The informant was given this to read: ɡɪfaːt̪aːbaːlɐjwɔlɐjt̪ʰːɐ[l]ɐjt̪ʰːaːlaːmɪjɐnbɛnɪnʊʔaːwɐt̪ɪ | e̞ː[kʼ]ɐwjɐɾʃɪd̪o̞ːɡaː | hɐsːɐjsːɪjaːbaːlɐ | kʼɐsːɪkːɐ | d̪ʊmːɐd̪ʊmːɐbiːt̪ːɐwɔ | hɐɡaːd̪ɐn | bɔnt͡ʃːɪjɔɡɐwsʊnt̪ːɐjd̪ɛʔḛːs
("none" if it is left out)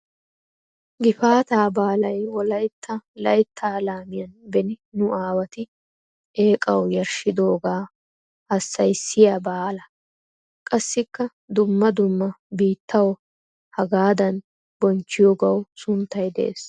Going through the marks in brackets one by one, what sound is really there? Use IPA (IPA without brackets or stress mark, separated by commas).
l, kʼ